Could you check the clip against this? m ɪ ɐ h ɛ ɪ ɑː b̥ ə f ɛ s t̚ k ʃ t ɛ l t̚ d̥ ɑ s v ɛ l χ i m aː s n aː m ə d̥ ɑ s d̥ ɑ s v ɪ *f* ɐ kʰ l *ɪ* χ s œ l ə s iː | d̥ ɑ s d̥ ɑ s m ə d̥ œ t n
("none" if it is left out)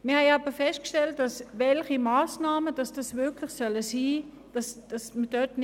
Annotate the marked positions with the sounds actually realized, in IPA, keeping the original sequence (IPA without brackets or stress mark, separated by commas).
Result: none, ɪ